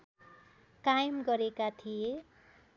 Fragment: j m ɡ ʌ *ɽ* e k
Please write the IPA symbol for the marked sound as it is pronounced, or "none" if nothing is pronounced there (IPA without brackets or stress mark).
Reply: ɾ